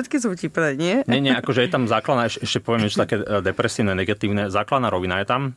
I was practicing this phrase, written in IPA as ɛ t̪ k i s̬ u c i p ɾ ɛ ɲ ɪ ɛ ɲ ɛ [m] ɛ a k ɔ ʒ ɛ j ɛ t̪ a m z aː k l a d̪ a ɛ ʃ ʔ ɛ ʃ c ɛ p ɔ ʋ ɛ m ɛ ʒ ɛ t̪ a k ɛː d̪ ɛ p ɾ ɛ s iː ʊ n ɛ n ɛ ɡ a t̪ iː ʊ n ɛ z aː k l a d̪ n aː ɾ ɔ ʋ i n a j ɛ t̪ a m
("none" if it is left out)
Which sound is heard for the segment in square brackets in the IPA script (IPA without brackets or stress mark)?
ɲ